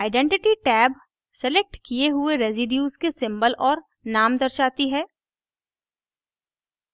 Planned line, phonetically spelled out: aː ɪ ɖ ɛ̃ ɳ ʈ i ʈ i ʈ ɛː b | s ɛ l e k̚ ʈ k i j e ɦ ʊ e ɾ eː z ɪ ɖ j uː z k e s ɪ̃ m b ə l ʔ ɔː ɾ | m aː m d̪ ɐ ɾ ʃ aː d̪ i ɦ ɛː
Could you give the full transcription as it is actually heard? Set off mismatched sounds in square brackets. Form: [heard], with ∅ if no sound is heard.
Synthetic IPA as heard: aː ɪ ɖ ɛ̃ ɳ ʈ [ɪ] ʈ i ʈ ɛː b | s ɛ l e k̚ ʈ k i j e ɦ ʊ e ɾ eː z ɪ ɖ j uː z k e s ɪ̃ m b ə l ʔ ɔː ɾ | [n] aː m d̪ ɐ ɾ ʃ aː [t̪] i ɦ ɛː

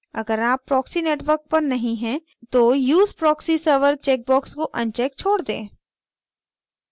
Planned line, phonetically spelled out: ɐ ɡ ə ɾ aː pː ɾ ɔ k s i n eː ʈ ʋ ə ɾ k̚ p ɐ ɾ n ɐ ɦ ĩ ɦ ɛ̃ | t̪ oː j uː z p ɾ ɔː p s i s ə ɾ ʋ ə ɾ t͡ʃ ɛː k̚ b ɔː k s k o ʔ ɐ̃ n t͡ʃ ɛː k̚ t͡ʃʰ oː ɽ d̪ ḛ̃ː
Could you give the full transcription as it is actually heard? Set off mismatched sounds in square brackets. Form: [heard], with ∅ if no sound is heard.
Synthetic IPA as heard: ɐ ɡ ə ɾ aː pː ɾ [ɔː] k s i n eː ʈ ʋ ə ɾ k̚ p ɐ ɾ n ɐ ɦ ĩ ɦ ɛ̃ | t̪ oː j uː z p ɾ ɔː [k] s i s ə ɾ ʋ ə ɾ t͡ʃ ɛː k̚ b ɔː k s k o ʔ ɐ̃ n t͡ʃ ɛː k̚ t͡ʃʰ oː ɽ d̪ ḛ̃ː

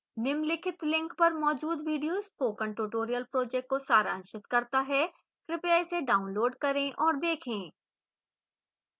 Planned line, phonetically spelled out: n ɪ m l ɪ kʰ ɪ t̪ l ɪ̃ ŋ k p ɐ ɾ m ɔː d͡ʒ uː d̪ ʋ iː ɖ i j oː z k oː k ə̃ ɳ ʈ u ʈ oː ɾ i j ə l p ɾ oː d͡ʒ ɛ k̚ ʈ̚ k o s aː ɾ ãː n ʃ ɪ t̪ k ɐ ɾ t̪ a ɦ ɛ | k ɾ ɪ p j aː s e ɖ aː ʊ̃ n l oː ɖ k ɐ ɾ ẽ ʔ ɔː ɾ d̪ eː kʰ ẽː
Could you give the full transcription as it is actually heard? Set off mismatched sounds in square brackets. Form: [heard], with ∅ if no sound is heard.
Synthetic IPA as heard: n ɪ m l ɪ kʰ ɪ t̪ l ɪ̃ ŋ k p ɐ ɾ m ɔː d͡ʒ uː d̪ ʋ iː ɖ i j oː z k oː k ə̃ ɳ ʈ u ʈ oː ɾ i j ə l p ɾ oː d͡ʒ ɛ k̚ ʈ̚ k o s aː ɾ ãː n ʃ ɪ t̪ k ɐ ɾ t̪ a ɦ ɛ | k ɾ ɪ p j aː s e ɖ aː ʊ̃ n l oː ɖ k ɐ ɾ ẽ ʔ ɔː ɾ d̪ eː kʰ ẽː

